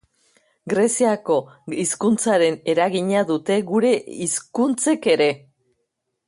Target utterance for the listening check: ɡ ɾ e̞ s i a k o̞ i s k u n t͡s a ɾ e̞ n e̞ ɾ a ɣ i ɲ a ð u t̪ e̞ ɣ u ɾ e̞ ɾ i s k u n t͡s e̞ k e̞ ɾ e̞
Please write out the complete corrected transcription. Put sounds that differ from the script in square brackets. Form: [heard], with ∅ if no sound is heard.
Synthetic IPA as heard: ɡ ɾ e̞ s i a k o̞ i s k u n t͡s a ɾ e̞ n e̞ ɾ a ɣ i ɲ a ð u t̪ e̞ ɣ u ɾ e̞ [∅] i s k u n t͡s e̞ k e̞ ɾ e̞